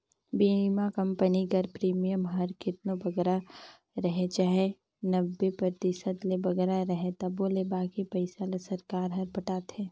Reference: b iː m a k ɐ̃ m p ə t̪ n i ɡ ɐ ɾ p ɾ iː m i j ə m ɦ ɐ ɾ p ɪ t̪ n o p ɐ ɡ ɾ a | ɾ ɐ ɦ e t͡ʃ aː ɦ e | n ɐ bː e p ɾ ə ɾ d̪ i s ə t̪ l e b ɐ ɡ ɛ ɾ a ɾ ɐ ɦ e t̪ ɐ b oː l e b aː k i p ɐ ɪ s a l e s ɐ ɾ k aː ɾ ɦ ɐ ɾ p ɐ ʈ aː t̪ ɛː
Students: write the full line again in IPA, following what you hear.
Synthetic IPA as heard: b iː m a k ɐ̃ m p ə n i ɡ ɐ ɾ p ɾ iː m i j ə m ɦ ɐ ɾ k ɪ t̪ n o b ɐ ɡ ɾ a | ɾ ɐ ɦ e t͡ʃ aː ɦ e | n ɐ bː e p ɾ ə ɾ t̪ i s ə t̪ l e b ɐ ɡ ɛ ɾ a ɾ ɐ ɦ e t̪ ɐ b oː l e b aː k i p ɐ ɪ s a l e s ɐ ɾ k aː ɾ ɦ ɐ ɾ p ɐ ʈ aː t̪ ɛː